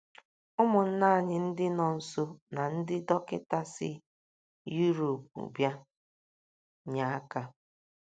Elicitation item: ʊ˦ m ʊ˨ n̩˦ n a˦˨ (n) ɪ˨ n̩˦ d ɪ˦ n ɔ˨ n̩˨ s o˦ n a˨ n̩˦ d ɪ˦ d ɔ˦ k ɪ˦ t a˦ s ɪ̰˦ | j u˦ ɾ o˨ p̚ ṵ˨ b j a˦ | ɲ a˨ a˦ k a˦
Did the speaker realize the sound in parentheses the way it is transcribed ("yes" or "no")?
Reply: no